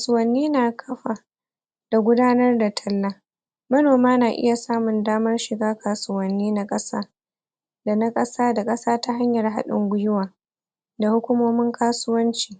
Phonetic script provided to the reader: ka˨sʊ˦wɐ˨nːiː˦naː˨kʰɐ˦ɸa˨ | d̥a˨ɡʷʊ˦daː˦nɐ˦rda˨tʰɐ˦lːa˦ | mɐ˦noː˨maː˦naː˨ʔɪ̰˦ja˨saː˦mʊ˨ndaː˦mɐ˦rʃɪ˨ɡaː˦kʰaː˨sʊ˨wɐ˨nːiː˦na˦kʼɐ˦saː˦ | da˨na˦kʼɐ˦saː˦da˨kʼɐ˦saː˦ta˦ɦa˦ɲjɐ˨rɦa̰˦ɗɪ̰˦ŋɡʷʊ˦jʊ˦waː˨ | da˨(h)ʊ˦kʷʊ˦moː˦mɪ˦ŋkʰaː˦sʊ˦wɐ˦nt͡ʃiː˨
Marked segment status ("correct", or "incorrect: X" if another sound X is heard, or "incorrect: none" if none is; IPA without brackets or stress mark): correct